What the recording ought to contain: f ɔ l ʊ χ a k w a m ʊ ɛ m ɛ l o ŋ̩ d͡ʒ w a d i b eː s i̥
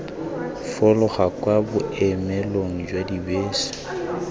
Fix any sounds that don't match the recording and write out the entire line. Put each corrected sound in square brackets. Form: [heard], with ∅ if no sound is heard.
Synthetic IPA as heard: f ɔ l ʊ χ a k w a [b] ʊ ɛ m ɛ l o ŋ̩ d͡ʒ w a d i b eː s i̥